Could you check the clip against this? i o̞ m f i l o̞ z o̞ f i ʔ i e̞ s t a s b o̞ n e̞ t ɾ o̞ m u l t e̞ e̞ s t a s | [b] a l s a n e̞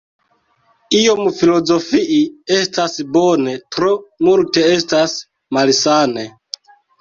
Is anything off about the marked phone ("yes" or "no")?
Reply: yes